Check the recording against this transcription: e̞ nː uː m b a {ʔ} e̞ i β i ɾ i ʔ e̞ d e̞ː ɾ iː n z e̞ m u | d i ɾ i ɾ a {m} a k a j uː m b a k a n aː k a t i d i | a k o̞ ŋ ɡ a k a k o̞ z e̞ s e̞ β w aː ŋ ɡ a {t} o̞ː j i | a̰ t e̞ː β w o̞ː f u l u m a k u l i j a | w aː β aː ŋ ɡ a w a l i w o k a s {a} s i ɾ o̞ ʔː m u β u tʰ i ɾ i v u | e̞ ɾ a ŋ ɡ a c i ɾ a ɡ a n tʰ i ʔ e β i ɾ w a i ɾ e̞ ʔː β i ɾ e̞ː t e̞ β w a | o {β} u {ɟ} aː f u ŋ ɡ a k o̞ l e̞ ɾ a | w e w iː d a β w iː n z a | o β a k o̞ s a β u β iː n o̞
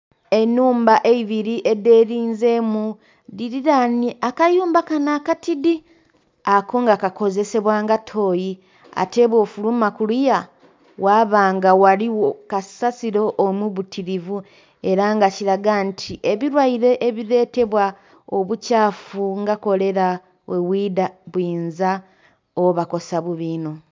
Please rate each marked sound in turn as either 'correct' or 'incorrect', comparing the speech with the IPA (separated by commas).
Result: correct, incorrect, incorrect, correct, correct, incorrect